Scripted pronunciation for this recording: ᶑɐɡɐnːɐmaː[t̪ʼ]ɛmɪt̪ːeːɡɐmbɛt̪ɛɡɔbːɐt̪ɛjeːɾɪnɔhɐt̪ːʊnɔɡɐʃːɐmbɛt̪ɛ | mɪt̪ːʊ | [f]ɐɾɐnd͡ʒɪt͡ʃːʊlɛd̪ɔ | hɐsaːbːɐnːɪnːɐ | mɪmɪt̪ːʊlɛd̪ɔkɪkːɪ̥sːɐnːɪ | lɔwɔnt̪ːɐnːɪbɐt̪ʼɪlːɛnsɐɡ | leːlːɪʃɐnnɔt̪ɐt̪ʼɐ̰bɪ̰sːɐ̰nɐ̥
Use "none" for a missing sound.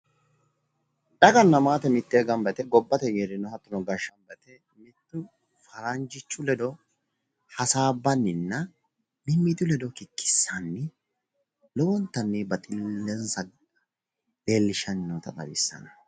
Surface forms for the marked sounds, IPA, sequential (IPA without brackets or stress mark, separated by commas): t̪, f